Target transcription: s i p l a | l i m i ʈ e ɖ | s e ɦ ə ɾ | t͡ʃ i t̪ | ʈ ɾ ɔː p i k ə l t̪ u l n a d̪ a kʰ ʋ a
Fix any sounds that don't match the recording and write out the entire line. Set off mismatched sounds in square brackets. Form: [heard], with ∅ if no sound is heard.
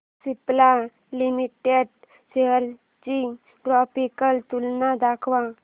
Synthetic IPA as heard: s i p l a | l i m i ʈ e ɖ | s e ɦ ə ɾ | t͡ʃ i [∅] | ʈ ɾ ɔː p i k ə l t̪ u l n a d̪ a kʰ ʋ a